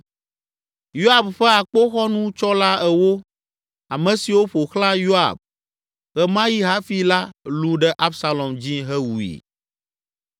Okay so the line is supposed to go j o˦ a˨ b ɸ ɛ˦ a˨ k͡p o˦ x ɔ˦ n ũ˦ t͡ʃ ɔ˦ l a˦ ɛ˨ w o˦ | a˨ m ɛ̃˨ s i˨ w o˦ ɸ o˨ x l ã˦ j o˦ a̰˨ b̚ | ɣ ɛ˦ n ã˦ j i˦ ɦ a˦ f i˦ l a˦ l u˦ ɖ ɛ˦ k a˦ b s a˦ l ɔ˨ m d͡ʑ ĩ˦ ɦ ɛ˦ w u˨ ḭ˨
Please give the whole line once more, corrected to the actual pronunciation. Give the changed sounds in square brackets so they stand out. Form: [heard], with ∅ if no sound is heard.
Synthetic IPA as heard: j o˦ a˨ b ɸ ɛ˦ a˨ k͡p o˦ x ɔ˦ n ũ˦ t͡ʃ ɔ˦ l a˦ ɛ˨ w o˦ | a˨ m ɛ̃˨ s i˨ w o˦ ɸ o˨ x l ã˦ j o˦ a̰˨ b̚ | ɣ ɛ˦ [m] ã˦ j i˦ ɦ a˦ f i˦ l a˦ l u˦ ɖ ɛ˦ [ʔ] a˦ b s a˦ l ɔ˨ m d͡ʑ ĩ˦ ɦ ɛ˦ w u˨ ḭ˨